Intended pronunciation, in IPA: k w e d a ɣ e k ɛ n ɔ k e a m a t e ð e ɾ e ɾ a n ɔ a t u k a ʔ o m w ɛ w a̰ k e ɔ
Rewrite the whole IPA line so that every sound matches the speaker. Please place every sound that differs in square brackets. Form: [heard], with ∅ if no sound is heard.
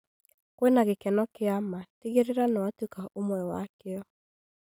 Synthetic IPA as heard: k w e [n] a ɣ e k ɛ n ɔ k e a m a t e [ɣ] e ɾ e ɾ a n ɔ a t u k a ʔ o m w ɛ w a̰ k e ɔ